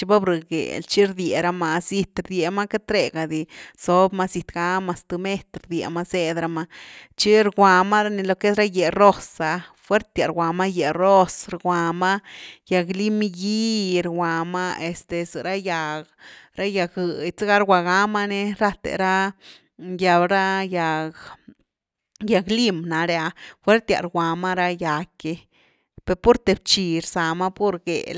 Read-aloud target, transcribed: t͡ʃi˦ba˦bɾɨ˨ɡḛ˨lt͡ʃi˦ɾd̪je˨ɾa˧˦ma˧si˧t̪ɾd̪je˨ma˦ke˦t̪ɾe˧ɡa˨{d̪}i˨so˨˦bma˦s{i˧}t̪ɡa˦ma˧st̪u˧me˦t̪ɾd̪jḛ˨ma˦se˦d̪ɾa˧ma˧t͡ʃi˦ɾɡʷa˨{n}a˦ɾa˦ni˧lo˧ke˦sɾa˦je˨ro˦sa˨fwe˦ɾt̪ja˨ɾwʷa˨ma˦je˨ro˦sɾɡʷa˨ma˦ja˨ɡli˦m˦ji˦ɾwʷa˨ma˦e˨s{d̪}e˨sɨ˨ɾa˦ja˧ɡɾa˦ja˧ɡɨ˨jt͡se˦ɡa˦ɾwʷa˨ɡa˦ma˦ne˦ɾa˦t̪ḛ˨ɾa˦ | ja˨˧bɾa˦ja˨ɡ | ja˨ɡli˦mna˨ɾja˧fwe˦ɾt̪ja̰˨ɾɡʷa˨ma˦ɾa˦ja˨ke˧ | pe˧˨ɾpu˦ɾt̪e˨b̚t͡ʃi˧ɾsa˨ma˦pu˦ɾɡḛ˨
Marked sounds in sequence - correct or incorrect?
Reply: correct, correct, incorrect, incorrect

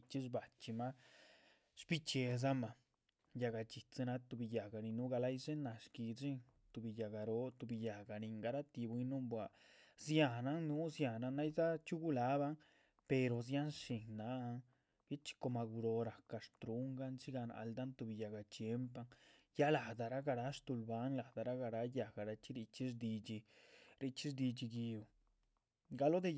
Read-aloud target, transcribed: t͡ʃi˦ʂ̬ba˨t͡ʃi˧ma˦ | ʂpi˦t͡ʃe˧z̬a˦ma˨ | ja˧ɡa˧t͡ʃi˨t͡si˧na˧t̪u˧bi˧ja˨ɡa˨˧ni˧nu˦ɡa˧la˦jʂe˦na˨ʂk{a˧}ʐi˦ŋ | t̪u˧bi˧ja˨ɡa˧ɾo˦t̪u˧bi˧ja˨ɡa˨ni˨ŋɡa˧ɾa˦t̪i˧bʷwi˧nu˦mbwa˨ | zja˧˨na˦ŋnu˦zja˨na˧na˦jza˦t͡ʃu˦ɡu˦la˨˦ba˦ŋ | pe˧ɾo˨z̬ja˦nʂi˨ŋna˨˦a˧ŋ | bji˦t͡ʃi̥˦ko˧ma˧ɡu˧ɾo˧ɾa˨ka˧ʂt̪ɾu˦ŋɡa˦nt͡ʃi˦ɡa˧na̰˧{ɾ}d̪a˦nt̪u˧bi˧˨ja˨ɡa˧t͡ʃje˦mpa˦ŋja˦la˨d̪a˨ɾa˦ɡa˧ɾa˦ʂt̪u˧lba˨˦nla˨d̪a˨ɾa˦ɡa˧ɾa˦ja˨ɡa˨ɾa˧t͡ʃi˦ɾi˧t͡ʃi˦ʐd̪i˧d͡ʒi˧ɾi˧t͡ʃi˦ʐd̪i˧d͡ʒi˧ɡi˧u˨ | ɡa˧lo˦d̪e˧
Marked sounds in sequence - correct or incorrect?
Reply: incorrect, incorrect

